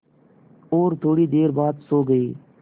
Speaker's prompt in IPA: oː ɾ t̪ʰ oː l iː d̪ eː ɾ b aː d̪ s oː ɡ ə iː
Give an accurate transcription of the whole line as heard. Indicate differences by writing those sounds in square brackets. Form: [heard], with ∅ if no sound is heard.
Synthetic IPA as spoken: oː ɾ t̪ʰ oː [ɽ] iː d̪ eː ɾ b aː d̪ s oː ɡ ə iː